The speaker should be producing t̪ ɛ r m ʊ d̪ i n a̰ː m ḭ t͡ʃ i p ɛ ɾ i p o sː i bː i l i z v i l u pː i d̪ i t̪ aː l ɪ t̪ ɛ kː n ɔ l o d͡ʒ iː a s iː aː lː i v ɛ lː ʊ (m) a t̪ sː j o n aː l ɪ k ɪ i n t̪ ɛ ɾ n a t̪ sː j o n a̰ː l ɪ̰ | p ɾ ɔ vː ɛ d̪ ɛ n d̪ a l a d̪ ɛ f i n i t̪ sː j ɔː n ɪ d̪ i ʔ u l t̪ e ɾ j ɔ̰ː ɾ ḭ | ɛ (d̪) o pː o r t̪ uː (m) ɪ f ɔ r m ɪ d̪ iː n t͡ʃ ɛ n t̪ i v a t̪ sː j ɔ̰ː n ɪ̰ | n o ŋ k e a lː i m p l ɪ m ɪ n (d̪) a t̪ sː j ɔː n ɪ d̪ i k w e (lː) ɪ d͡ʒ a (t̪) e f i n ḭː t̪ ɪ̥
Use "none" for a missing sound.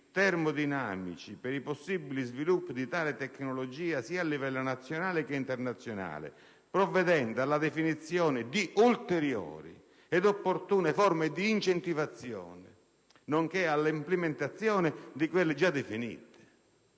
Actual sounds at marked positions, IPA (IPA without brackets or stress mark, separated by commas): n, d̪, n, t̪, lː, d̪